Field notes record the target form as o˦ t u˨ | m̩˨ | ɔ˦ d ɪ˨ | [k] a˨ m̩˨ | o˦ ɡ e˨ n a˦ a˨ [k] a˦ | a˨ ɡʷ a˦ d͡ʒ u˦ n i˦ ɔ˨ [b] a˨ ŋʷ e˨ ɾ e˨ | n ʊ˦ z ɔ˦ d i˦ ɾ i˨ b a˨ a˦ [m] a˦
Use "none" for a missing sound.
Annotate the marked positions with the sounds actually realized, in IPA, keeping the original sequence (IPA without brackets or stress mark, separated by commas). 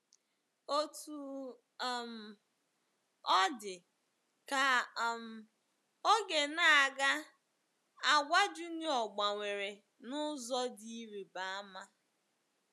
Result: k, ɡ, ɡ͡b, m